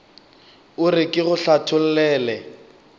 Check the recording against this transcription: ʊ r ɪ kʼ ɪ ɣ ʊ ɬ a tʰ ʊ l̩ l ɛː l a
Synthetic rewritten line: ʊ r ɪ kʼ ɪ ɣ ʊ ɬ a tʰ ʊ l̩ l ɛː l ɛ